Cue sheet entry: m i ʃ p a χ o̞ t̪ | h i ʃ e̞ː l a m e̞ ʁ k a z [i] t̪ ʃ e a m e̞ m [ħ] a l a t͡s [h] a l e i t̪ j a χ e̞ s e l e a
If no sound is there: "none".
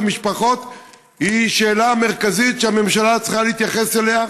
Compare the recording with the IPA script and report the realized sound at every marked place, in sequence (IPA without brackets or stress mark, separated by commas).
i, ʃ, χ